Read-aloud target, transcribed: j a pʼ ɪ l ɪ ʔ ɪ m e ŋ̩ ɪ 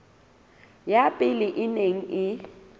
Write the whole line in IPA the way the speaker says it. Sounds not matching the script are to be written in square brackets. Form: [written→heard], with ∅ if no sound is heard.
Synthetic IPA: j a pʼ ɪ l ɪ ʔ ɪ [m→n] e ŋ̩ ɪ

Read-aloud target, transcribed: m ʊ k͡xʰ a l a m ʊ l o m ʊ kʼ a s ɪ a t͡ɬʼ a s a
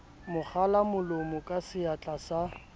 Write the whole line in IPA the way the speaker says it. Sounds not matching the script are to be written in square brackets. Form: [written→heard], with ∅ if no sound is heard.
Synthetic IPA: m ʊ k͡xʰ a l a m ʊ l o m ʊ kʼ a s ɪ a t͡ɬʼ a s a

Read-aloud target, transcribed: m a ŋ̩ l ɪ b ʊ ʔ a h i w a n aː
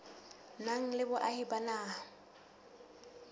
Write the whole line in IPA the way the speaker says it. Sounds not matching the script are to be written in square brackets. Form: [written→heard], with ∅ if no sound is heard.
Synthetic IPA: [m→n] a ŋ̩ l ɪ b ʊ ʔ a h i [w→b] a n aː

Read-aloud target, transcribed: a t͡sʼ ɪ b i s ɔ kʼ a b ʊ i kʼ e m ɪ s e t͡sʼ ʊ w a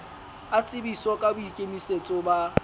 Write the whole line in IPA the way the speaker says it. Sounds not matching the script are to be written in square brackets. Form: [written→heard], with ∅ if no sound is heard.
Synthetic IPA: a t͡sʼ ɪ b i s ɔ kʼ a b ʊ i kʼ e m [ɪ→i] s e t͡sʼ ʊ [w→b] a

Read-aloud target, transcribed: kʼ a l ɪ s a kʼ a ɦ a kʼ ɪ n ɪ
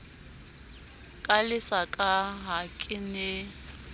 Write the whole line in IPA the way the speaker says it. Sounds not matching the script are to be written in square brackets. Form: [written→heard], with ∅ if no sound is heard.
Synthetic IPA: kʼ a l ɪ s a kʼ a ɦ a kʼ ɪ n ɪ

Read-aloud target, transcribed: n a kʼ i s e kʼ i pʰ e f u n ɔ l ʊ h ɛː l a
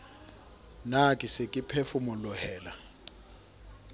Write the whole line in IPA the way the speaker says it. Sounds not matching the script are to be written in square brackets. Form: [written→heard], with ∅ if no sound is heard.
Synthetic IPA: n a kʼ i s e kʼ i pʰ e f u [n→m] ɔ l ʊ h ɛː l a

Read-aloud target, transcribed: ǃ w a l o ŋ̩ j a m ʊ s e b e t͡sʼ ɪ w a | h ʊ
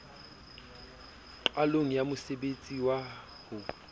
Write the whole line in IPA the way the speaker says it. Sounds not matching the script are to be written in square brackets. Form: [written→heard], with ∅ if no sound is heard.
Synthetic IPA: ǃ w a l o ŋ̩ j a m ʊ s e b e t͡sʼ [ɪ→i] w a | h ʊ

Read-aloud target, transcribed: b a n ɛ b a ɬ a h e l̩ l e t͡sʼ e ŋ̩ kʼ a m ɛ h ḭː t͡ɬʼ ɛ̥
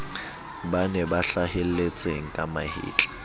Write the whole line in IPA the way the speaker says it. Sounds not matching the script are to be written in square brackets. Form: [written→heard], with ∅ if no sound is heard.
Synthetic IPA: b a n ɛ b a ɬ a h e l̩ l e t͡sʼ e ŋ̩ kʼ a m [ɛ→a] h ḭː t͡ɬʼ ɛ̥

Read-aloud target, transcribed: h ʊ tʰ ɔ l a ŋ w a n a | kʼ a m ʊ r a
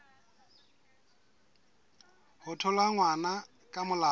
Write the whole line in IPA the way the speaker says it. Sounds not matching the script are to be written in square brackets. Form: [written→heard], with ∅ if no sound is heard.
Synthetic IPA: h ʊ tʰ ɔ l a ŋ w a n a | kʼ a m ʊ [r→l] a

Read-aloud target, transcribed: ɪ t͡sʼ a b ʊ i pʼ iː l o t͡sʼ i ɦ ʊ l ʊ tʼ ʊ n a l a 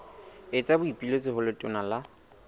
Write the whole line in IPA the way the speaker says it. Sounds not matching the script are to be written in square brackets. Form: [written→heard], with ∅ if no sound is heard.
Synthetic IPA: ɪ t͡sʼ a b ʊ i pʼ [iː→i] l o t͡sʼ [i→ɪ] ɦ ʊ l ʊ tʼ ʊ n a l a

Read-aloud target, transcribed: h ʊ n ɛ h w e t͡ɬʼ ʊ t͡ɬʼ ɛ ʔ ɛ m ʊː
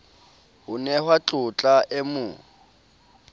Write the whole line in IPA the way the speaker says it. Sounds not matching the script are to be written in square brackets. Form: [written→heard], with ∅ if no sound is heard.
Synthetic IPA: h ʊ n ɛ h w [e→a] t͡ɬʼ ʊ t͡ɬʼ [ɛ→a] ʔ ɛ m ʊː

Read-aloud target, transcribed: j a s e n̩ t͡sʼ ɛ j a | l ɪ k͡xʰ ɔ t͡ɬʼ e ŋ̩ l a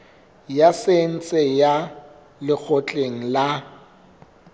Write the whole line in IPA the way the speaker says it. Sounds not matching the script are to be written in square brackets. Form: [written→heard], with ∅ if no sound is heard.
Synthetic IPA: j a s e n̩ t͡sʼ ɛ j a | l ɪ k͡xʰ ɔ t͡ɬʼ e ŋ̩ l a

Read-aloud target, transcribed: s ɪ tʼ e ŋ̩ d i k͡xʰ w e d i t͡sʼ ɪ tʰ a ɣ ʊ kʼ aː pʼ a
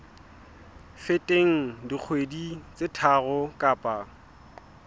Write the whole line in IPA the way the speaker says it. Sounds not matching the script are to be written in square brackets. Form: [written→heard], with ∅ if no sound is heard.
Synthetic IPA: [s→f] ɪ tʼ e ŋ̩ d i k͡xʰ w e d i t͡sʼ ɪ tʰ a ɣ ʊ kʼ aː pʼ a

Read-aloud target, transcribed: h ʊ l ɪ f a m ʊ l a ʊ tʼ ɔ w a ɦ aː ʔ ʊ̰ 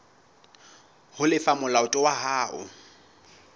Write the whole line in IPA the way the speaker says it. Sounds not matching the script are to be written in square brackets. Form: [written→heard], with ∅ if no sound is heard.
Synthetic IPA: h ʊ l ɪ f a m ʊ l a ʊ tʼ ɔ w a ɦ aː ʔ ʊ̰

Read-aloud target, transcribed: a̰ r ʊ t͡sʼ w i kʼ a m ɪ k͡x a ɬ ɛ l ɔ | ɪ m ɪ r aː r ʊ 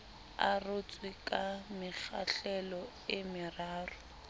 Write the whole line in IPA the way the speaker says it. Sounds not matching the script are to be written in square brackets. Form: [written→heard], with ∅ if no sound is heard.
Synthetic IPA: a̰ r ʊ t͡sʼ w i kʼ a m ɪ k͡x a ɬ ɛ l ɔ | ɪ m ɪ r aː r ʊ

